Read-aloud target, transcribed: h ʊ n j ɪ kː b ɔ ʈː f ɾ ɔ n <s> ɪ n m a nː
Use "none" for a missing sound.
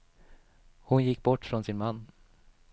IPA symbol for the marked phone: s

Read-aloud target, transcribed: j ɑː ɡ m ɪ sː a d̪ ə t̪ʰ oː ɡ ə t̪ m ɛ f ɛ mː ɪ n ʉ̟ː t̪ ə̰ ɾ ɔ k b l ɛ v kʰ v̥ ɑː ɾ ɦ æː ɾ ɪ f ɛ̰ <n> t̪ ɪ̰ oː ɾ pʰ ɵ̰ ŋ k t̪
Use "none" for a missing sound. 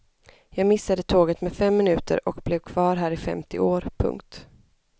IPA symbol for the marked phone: m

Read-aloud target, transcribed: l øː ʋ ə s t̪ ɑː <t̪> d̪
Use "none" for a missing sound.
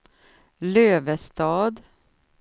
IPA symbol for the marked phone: none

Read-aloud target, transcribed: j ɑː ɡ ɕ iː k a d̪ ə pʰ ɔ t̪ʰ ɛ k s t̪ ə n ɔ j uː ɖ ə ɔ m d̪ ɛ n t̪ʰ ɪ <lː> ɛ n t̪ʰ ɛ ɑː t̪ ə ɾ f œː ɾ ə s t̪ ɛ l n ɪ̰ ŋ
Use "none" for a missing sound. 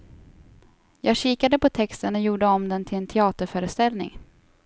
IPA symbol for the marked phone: l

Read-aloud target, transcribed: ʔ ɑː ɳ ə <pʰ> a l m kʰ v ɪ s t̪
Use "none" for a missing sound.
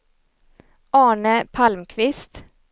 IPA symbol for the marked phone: pʰ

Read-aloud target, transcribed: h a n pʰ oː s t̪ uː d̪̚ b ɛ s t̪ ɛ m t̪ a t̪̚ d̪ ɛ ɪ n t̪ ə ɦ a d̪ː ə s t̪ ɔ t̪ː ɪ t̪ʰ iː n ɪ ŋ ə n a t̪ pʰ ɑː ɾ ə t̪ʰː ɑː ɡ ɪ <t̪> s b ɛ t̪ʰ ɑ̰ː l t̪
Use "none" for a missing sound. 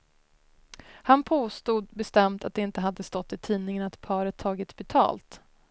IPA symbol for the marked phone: t̪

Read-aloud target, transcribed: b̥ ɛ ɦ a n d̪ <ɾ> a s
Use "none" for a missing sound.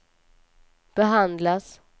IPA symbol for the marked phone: l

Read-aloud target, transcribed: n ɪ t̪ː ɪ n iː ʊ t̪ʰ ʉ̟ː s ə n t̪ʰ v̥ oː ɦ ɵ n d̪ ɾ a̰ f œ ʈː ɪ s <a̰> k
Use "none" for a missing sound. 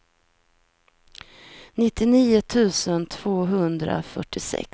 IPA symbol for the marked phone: ɛ̰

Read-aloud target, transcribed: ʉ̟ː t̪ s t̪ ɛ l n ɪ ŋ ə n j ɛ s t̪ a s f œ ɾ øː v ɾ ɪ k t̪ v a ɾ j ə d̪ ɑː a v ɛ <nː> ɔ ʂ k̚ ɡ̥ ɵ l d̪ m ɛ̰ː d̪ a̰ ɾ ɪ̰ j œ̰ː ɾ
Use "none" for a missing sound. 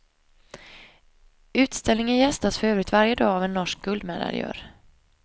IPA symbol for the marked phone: nː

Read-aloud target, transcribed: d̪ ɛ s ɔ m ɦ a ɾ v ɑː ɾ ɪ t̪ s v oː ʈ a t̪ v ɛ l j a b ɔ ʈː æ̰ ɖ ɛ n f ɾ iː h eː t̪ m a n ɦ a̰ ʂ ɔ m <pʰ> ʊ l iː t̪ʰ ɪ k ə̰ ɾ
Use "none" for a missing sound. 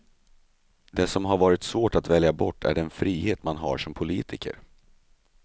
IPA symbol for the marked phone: pʰ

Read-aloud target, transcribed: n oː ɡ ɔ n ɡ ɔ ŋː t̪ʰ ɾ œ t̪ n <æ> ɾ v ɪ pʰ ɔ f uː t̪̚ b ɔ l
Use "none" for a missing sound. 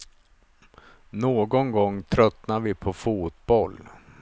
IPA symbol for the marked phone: a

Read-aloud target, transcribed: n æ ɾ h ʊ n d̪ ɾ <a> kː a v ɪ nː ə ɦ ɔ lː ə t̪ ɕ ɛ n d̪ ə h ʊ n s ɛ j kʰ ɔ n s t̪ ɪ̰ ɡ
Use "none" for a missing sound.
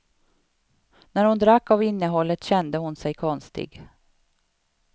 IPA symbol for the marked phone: a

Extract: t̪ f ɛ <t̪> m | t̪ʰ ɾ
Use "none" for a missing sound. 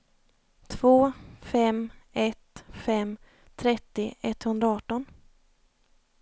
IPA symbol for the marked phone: none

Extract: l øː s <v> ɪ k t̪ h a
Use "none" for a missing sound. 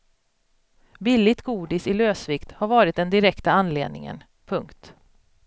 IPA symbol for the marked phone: v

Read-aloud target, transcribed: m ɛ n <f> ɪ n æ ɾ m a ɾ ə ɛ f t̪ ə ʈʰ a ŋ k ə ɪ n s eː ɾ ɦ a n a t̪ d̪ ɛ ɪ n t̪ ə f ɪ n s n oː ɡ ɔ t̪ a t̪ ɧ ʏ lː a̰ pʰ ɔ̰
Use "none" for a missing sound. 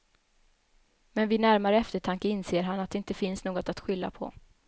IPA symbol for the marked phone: v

